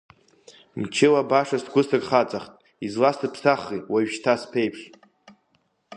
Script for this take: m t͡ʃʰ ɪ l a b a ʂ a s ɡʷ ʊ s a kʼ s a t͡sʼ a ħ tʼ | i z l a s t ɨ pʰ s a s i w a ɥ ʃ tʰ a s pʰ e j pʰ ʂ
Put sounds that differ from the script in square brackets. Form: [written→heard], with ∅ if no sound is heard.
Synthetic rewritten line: m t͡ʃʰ ɪ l a b a ʂ a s ɡʷ ʊ s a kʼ [s→χ] a t͡sʼ a [ħ→χ] tʼ | i z l a s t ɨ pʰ s a [s→χ] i w a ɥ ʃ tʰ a s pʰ e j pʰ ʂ